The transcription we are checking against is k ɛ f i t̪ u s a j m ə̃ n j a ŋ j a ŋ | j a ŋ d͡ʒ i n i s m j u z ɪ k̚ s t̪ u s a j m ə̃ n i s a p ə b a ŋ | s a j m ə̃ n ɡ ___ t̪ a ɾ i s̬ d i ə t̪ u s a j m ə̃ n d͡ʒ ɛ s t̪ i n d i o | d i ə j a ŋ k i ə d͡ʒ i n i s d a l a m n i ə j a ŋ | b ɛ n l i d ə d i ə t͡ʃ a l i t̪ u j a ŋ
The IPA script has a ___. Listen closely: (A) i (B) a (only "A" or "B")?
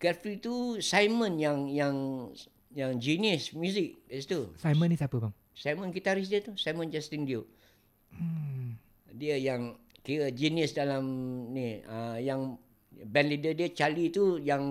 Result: A